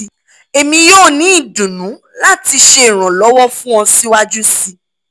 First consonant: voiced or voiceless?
voiced